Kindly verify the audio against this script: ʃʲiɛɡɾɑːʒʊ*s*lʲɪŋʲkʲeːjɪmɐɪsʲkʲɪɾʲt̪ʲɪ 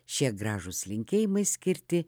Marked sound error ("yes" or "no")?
no